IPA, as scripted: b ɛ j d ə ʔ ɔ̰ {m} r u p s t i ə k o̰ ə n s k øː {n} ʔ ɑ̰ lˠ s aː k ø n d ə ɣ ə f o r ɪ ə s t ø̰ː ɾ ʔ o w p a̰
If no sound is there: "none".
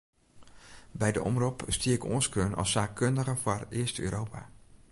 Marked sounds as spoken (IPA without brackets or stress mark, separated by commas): m, n